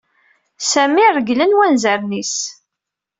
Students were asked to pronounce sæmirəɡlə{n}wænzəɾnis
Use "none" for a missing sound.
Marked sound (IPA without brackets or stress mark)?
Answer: n